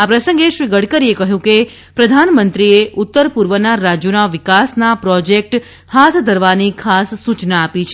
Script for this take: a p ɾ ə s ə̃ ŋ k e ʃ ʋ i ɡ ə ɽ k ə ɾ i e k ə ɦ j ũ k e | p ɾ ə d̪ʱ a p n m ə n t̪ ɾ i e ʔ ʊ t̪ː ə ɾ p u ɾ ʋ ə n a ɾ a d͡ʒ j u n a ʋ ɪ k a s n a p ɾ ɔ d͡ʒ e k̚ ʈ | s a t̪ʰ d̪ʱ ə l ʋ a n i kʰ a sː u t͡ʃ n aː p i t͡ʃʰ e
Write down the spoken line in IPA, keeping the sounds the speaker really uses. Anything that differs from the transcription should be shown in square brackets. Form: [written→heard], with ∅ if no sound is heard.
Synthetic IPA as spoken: a p ɾ ə s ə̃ ŋ [k→ɡ] e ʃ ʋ i ɡ ə ɽ k ə ɾ i e k ə ɦ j ũ k e | p ɾ ə d̪ʱ a [p→∅] n m ə n t̪ ɾ i e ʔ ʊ t̪ː ə ɾ p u ɾ ʋ ə n a ɾ a d͡ʒ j u n a ʋ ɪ k a s n a p ɾ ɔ d͡ʒ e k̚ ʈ | [s→h] a t̪ʰ d̪ʱ ə [l→ɾ] ʋ a n i kʰ a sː u t͡ʃ n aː p i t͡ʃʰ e